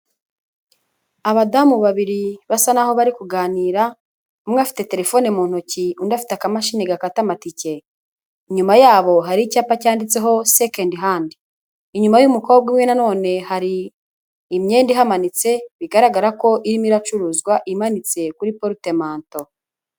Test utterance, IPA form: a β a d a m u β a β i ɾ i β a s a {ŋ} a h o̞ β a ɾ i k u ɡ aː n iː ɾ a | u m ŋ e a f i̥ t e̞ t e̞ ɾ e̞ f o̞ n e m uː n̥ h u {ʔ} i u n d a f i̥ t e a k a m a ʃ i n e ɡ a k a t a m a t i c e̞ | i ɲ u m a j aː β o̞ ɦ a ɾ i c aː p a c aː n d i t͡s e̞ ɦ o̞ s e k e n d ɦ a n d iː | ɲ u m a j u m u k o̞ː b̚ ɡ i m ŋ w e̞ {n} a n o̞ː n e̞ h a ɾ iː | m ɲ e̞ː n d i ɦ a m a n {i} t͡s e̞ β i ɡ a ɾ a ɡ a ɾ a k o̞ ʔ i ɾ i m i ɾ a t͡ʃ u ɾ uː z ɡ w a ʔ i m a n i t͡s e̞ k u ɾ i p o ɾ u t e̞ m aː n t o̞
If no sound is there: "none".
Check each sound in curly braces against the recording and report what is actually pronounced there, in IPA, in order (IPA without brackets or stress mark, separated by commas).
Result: n, c, n, i